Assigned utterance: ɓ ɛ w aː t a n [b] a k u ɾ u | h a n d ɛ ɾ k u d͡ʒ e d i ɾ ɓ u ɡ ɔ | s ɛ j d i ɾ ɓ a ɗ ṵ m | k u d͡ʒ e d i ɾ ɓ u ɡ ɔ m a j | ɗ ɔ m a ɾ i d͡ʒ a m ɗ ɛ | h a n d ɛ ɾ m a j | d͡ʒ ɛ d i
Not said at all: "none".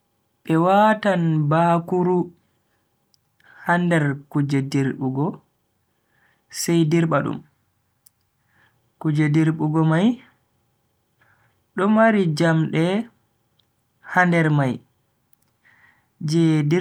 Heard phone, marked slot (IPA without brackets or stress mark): b